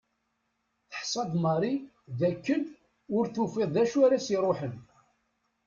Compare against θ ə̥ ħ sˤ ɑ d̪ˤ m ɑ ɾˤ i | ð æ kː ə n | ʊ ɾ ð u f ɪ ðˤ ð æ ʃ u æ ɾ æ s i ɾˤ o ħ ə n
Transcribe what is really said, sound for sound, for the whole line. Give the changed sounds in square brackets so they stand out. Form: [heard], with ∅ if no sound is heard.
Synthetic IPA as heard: θ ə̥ ħ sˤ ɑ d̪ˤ m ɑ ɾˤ i | ð æ kː ə n | ʊ ɾ [θ] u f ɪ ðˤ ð æ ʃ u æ ɾ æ s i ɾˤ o ħ ə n